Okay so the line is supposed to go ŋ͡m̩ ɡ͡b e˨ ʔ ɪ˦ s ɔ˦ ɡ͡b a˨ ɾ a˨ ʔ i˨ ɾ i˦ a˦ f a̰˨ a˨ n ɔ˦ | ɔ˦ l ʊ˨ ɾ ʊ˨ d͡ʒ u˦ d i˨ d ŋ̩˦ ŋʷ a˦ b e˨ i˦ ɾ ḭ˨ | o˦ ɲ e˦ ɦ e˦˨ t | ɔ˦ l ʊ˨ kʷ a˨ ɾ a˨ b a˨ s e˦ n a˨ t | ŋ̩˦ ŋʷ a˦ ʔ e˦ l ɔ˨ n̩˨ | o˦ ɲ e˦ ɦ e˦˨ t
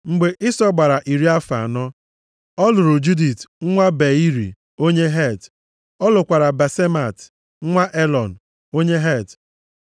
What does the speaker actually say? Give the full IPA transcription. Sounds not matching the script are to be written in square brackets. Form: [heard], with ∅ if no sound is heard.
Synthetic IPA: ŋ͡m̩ ɡ͡b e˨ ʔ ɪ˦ s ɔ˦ ɡ͡b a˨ ɾ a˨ ʔ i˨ ɾ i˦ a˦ f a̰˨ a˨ n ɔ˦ | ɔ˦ l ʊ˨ ɾ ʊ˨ d͡ʒ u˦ d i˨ [t] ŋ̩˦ ŋʷ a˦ b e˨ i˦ ɾ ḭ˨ | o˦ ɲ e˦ ɦ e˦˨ t | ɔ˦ l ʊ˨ kʷ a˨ ɾ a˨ b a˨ s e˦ [m] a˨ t | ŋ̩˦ ŋʷ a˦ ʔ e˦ l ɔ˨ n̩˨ | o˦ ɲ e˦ ɦ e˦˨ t

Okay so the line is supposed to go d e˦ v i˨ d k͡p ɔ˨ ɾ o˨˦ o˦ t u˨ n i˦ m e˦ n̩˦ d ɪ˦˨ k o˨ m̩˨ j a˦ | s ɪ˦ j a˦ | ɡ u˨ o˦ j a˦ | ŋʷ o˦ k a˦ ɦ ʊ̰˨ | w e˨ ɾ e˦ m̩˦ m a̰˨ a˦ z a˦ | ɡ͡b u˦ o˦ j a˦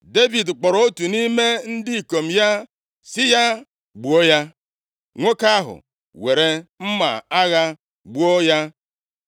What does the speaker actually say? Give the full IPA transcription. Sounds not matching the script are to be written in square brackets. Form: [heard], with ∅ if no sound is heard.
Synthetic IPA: d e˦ v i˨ d k͡p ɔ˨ ɾ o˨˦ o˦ t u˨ n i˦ m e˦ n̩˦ d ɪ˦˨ k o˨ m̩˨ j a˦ | s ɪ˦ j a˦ | [ɡ͡b] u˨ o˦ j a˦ | ŋʷ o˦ k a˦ ɦ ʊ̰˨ | w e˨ ɾ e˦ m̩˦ m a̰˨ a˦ [ɣ] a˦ | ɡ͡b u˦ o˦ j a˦

